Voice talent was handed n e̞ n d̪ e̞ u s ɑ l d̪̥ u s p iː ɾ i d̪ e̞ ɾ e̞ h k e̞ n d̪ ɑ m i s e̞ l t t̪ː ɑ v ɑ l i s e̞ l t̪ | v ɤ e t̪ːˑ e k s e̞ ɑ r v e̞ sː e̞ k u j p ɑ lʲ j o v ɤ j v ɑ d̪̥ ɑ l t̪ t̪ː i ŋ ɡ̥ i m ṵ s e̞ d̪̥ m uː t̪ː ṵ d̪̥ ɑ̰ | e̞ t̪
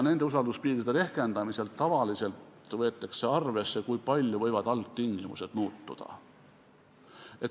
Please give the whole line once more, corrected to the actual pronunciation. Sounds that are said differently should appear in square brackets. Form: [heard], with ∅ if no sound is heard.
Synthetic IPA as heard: n e̞ n d̪ e̞ u s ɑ l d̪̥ u s p iː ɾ i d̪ e̞ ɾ e̞ h k e̞ n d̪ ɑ m i s e̞ l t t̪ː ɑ v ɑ l i s e̞ l t̪ | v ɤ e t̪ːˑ e k s e̞ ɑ r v e̞ sː e̞ k u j p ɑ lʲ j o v ɤ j v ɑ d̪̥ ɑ l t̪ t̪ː i ŋ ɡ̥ i m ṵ s e̞ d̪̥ m uː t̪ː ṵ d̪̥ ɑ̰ | e̞ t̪